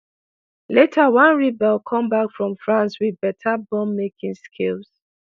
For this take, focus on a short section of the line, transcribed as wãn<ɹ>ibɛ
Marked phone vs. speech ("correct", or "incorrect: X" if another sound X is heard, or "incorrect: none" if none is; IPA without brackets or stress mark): correct